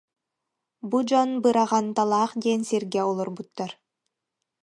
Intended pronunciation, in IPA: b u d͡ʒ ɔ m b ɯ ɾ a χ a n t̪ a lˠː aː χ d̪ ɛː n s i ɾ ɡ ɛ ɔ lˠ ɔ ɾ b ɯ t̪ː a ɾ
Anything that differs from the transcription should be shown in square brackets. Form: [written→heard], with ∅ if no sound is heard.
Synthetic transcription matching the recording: b u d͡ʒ ɔ [m→n] b ɯ ɾ a [χ→ʁ] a n t̪ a [lˠː→lˠ] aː χ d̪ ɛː n s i ɾ ɡ ɛ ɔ lˠ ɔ ɾ b [ɯ→u] t̪ː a ɾ